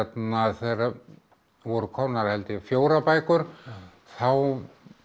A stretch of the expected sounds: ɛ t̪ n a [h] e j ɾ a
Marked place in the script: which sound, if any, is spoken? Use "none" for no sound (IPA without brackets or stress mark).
θ